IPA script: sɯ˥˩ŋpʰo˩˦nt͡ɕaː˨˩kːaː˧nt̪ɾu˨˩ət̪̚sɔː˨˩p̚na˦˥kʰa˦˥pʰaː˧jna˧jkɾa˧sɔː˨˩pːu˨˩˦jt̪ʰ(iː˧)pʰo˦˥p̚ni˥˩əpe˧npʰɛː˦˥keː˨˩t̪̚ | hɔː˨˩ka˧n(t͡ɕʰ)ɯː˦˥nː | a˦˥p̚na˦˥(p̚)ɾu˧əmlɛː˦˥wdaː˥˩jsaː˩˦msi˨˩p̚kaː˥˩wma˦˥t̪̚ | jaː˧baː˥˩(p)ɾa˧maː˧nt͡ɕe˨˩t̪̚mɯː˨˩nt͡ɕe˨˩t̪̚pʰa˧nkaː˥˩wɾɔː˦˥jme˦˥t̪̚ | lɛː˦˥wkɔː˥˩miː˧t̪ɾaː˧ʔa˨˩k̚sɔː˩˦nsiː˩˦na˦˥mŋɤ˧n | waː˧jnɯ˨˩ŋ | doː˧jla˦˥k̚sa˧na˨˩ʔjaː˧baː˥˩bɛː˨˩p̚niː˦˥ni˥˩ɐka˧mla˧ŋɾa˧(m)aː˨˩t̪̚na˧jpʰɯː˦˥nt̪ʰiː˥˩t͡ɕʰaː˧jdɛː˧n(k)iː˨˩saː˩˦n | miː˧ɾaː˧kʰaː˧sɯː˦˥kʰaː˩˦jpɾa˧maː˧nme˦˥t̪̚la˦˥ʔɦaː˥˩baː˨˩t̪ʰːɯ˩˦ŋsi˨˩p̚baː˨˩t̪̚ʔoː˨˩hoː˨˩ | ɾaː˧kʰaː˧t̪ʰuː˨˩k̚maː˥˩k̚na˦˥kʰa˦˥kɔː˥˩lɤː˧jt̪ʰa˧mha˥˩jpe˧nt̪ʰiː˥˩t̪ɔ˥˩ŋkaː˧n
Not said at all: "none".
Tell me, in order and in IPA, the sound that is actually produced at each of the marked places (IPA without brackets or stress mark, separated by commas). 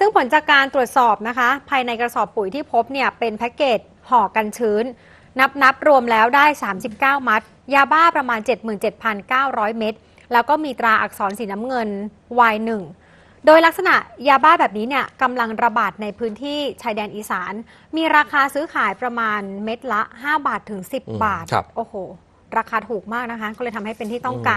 iː˥˩, t͡ɕʰ, p̚, p, b, ʔ